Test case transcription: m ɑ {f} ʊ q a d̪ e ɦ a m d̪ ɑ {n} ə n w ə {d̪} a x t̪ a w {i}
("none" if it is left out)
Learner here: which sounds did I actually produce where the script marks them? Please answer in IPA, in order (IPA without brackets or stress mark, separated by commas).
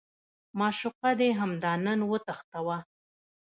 ʃ, n, t̪, a